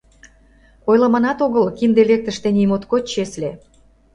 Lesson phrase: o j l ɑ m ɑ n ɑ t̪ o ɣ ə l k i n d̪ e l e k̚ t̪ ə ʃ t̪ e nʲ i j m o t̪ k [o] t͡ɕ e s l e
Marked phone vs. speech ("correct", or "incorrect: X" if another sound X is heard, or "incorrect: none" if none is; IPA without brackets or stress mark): correct